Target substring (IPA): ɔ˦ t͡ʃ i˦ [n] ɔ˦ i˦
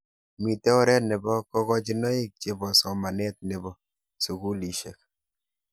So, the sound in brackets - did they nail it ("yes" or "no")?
yes